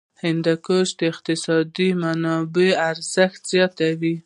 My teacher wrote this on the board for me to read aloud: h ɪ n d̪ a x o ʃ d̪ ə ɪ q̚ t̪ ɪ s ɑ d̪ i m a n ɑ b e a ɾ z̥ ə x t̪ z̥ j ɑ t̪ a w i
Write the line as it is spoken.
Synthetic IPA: h ɪ n d̪ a k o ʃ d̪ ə ɪ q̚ t̪ ɪ s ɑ d̪ i m a n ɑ b e a ɾ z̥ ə x t̪ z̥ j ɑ t̪ a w i